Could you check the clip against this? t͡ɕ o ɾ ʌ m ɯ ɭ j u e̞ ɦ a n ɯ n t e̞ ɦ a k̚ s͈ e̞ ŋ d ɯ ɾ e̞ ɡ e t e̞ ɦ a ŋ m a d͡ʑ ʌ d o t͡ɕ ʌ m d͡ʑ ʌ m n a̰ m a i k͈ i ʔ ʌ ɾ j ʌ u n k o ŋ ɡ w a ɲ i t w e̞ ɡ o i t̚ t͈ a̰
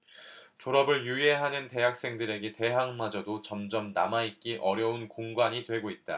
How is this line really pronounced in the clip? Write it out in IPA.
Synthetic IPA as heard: t͡ɕ o ɾ ʌ b ɯ ɭ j u e̞ ɦ a n ɯ n t e̞ ɦ a k̚ s͈ e̞ ŋ d ɯ ɾ e̞ ɡ e t e̞ ɦ a ŋ m a d͡ʑ ʌ d o t͡ɕ ʌ m d͡ʑ ʌ m n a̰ m a i k͈ i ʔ ʌ ɾ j ʌ u n k o ŋ ɡ w a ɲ i t w e̞ ɡ o i t̚ t͈ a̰

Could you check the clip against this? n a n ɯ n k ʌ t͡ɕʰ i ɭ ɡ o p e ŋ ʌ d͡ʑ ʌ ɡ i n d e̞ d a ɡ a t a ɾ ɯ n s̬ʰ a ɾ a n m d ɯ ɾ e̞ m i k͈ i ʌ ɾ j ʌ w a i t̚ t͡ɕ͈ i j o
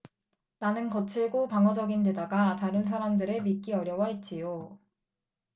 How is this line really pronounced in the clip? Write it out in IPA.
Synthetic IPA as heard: n a n ɯ n k ʌ t͡ɕʰ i ɭ ɡ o p a ŋ ʌ d͡ʑ ʌ ɡ i n d e̞ d a ɡ a t a ɾ ɯ n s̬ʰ a ɾ a m d ɯ ɾ e̞ m i k͈ i ʌ ɾ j ʌ w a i t̚ t͡ɕ͈ i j o

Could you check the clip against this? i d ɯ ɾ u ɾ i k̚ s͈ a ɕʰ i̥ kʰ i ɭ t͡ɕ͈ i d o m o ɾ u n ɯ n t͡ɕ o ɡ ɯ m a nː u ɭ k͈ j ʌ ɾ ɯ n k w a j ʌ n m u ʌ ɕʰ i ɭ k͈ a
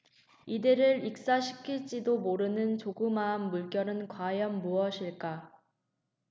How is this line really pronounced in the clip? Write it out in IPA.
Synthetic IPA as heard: i d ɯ ɾ ɯ ɾ i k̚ s͈ a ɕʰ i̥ kʰ i ɭ t͡ɕ͈ i d o m o ɾ ɯ n ɯ n t͡ɕ o ɡ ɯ m a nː u ɭ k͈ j ʌ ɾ ɯ n k w a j ʌ n m u ʌ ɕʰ i ɭ k͈ a

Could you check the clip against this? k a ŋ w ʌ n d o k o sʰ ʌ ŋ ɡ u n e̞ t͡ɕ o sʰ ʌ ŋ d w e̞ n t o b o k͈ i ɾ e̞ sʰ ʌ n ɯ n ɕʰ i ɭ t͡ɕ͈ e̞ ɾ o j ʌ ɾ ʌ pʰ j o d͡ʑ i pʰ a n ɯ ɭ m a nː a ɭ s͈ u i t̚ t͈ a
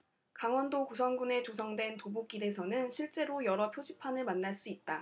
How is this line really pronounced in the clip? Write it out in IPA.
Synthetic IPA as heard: k a ŋ w ʌ n d o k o sʰ ʌ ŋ ɡ u n e̞ t͡ɕ o sʰ ʌ ŋ d w e̞ n t o b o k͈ i ɾ e̞ sʰ ʌ n ɯ n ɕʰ i ɭ t͡ɕ͈ e̞ ɾ o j ʌ ɾ ʌ pʰ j o d͡ʑ i pʰ a n ɯ ɭ m a nː a ɭ s͈ u i t̚ t͈ a

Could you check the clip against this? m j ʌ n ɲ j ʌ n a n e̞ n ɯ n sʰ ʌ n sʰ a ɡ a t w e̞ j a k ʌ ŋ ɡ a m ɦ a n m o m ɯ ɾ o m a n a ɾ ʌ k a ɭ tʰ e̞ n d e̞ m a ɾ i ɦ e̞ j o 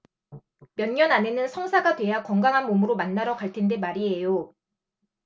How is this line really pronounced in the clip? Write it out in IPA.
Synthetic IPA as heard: m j ʌ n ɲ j ʌ n a n e̞ n ɯ n sʰ ʌ ŋ sʰ a ɡ a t w e̞ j a k ʌ ŋ ɡ a ŋ ɦ a n m o m ɯ ɾ o m a nː a ɾ ʌ k a ɭ tʰ e̞ n d e̞ m a ɾ i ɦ e̞ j o

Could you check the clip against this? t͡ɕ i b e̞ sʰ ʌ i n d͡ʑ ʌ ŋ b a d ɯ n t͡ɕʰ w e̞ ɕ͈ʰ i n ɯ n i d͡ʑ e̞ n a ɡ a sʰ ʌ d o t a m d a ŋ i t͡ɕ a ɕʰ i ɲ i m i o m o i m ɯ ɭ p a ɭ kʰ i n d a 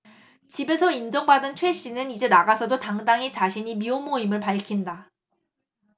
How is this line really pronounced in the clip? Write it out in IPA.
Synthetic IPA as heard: t͡ɕ i b e̞ sʰ ʌ i n d͡ʑ ʌ ŋ b a d ɯ n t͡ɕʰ w e̞ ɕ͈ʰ i n ɯ n i d͡ʑ e̞ n a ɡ a sʰ ʌ d o t a ŋ d a ŋ i t͡ɕ a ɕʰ i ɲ i m i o m o i m ɯ ɭ p a ɭ kʰ i n d a

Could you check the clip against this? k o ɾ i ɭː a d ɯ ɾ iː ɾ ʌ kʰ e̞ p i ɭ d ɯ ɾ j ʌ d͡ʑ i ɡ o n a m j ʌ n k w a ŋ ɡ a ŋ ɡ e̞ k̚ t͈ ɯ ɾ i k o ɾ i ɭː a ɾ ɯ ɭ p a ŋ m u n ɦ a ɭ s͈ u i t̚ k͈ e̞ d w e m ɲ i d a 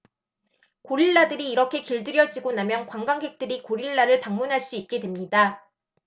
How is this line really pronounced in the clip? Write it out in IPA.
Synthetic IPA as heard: k o ɾ i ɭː a d ɯ ɾ iː ɾ ʌ kʰ e̞ k i ɭ d ɯ ɾ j ʌ d͡ʑ i ɡ o n a m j ʌ n k w a ŋ ɡ a ŋ ɡ e̞ k̚ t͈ ɯ ɾ i k o ɾ i ɭː a ɾ ɯ ɭ p a ŋ m u n ɦ a ɭ s͈ u i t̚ k͈ e̞ d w e m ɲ i d a

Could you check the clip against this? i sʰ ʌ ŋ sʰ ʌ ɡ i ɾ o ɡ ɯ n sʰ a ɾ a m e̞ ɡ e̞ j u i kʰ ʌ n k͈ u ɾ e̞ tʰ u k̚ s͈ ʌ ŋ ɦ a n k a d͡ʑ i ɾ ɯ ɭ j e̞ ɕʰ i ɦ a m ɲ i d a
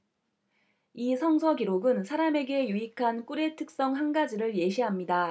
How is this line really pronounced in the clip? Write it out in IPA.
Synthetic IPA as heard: i sʰ ʌ ŋ sʰ ʌ ɡ i ɾ o ɡ ɯ n sʰ a ɾ a m e̞ ɡ e̞ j u i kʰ a n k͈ u ɾ e̞ tʰ ɯ k̚ s͈ ʌ ŋ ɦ a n ɡ a d͡ʑ i ɾ ɯ ɭ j e̞ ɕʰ i ɦ a m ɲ i d a

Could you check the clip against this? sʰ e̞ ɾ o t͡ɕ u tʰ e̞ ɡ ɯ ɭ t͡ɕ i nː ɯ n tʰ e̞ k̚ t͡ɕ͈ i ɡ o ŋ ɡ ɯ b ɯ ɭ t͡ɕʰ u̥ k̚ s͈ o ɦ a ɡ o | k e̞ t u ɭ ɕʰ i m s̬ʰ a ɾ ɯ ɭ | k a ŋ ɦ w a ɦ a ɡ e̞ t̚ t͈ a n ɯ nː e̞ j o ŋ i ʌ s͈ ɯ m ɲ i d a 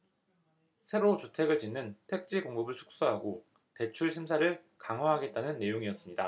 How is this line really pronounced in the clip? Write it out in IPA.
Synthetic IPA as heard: sʰ e̞ ɾ o t͡ɕ u tʰ e̞ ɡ ɯ ɭ t͡ɕ i nː ɯ n tʰ e̞ k̚ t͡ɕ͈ i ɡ o ŋ ɡ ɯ b ɯ ɭ t͡ɕʰ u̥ k̚ s͈ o ɦ a ɡ o | t e̞ t͡ɕʰ u ɭ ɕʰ i m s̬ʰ a ɾ ɯ ɭ | k a ŋ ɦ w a ɦ a ɡ e̞ t̚ t͈ a n ɯ nː e̞ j o ŋ i ʌ s͈ ɯ m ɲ i d a

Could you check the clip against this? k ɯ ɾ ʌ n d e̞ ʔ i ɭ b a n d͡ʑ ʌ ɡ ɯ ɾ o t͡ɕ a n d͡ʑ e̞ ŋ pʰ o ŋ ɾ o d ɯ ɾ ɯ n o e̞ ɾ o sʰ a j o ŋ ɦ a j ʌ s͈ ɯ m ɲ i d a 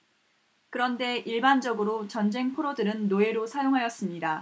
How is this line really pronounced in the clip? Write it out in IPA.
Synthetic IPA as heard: k ɯ ɾ ʌ n d e̞ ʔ i ɭ b a n d͡ʑ ʌ ɡ ɯ ɾ o t͡ɕ ʌ n d͡ʑ e̞ ŋ pʰ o ɾ o d ɯ ɾ ɯ nː o e̞ ɾ o sʰ a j o ŋ ɦ a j ʌ s͈ ɯ m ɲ i d a

